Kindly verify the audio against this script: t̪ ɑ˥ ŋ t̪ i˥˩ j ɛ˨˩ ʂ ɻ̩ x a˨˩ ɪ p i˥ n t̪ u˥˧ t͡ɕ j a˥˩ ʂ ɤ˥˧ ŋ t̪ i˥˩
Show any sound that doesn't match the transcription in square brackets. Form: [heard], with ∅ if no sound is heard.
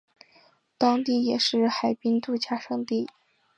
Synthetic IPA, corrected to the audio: t̪ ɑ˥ ŋ t̪ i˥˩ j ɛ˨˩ ʂ ɻ̩ x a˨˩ ɪ p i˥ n t̪ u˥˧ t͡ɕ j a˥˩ ʂ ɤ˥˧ ŋ t̪ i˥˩